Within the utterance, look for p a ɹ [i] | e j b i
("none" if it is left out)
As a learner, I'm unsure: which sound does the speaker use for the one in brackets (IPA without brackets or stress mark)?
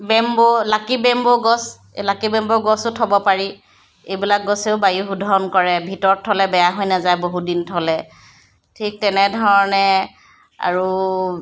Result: i